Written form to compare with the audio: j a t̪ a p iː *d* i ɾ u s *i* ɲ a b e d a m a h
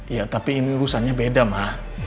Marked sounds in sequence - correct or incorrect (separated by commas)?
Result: incorrect, incorrect